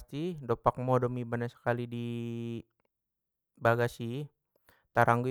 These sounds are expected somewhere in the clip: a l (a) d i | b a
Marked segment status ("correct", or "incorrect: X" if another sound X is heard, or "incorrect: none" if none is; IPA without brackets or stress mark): incorrect: i